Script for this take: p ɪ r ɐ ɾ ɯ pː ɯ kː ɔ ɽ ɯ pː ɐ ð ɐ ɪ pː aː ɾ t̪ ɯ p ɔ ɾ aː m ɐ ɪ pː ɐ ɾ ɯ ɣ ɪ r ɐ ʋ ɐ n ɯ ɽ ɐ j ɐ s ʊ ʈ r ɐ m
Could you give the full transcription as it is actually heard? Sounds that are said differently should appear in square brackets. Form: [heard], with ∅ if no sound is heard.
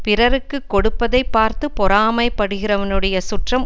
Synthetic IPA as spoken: p ɪ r ɐ ɾ ɯ [kː] ɯ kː ɔ ɽ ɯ pː ɐ ð ɐ ɪ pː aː ɾ t̪ ɯ p ɔ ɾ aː m ɐ ɪ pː ɐ [ɽ] ɯ ɣ ɪ r ɐ ʋ ɐ n ɯ ɽ ɐ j ɐ s ʊ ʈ r ɐ m